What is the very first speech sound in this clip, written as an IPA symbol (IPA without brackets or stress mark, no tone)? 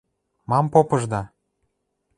m